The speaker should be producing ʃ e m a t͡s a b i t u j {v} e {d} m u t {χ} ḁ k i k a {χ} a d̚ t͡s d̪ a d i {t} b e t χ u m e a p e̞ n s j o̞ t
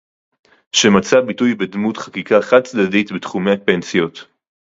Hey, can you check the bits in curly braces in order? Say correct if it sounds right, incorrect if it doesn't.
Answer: incorrect: b, correct, correct, correct, correct

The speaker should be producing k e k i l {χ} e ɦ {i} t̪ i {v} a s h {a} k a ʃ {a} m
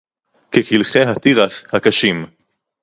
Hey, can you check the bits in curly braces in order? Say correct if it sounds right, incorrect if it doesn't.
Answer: correct, incorrect: a, incorrect: ʁ, correct, incorrect: i

